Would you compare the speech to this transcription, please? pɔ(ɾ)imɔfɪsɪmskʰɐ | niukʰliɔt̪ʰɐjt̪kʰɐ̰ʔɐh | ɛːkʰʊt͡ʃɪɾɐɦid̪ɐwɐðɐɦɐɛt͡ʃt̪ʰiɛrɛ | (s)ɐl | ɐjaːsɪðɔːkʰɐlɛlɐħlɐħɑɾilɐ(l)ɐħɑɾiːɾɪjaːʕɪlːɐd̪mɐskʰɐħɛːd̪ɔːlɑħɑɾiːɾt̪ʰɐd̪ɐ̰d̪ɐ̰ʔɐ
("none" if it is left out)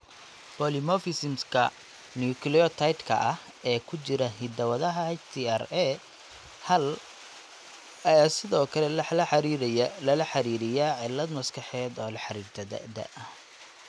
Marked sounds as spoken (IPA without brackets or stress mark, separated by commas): l, h, l